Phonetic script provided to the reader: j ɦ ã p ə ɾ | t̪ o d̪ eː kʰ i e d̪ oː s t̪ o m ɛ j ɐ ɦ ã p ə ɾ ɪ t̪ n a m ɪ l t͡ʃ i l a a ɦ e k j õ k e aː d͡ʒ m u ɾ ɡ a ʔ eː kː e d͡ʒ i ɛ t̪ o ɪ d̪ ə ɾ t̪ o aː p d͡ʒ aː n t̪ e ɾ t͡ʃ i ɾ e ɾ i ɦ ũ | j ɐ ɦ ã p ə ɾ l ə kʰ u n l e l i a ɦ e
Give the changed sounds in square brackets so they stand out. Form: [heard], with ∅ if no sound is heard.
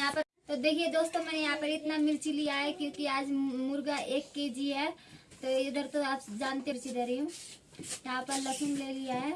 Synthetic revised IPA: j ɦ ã p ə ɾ | t̪ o d̪ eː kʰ i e d̪ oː s t̪ o m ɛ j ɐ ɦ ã p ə ɾ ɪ t̪ n a m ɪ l t͡ʃ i l [i] a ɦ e k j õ k [i] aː d͡ʒ m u ɾ ɡ a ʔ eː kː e d͡ʒ i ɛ t̪ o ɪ d̪ ə ɾ t̪ o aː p d͡ʒ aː n t̪ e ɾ t͡ʃ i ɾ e ɾ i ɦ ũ | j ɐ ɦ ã p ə ɾ l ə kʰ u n l e l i a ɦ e